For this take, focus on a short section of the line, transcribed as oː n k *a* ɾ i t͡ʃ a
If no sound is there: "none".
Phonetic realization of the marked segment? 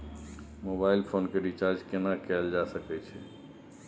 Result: e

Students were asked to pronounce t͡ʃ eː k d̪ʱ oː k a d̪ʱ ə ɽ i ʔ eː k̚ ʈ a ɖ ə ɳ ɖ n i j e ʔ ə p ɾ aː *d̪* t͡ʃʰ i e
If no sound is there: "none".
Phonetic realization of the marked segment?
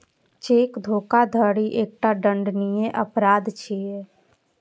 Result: d̪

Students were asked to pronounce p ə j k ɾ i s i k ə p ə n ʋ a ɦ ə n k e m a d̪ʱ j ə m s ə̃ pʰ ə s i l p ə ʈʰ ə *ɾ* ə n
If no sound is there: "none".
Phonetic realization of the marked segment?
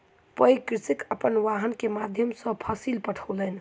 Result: l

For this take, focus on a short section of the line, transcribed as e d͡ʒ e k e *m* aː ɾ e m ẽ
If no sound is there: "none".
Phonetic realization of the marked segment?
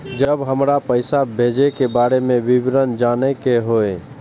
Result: b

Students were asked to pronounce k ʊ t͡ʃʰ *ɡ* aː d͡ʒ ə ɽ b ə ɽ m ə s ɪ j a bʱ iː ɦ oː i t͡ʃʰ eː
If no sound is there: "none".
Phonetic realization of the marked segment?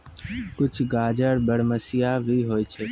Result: ɡ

